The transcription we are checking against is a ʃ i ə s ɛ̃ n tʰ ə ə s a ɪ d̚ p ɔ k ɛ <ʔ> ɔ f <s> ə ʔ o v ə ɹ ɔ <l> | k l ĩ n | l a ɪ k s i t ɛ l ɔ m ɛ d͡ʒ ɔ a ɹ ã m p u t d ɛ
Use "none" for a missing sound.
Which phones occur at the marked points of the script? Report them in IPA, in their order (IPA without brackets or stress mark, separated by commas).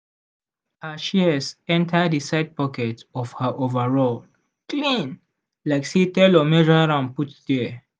t, h, l